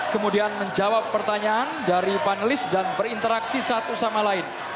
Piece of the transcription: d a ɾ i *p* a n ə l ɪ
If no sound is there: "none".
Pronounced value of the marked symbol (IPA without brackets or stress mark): p